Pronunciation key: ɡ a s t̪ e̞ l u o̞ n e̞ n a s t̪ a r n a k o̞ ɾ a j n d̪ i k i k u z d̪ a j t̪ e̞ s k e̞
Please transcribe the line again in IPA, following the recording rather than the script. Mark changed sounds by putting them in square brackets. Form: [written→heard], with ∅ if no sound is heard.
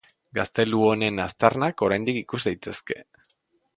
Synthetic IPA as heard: ɡ a s t̪ e̞ l u o̞ n e̞ n a s t̪ a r n a k o̞ ɾ a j n d̪ i k i k u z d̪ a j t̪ e̞ s k e̞